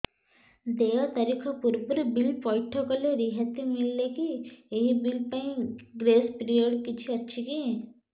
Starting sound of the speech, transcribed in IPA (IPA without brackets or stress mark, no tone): d̪